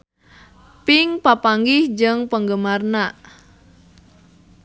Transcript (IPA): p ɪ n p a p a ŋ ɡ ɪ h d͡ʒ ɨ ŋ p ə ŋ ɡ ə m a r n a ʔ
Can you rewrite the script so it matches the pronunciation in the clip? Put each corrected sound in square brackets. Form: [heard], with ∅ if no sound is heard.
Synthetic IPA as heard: p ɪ [ŋ] p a p a ŋ ɡ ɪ h d͡ʒ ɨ ŋ p ə ŋ ɡ ə m a r n a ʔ